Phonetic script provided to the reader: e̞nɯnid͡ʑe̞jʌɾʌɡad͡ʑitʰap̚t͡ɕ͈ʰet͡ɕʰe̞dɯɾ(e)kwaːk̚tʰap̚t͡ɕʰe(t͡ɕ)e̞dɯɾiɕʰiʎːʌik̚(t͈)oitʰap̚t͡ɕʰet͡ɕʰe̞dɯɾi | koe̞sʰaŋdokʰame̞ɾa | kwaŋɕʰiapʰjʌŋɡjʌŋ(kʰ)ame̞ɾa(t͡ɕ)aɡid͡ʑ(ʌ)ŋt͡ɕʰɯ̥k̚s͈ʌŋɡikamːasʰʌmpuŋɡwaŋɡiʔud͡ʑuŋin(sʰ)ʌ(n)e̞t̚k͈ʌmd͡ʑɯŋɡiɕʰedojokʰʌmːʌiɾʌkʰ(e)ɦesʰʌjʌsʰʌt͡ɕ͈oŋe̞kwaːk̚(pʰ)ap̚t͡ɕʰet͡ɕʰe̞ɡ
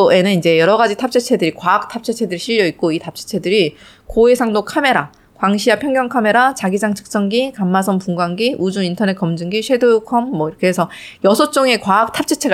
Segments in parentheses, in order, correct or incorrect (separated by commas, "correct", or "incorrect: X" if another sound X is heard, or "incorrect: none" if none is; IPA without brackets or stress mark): incorrect: i, incorrect: t͡ɕʰ, incorrect: k͈, correct, correct, incorrect: a, incorrect: tʰ, correct, correct, incorrect: tʰ